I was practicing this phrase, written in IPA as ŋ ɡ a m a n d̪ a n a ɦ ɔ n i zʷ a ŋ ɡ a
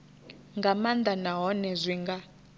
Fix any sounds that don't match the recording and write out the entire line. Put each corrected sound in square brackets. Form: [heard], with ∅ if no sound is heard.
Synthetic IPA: ŋ ɡ a m a n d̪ a n a ɦ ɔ n [ɛ] zʷ [i] ŋ ɡ a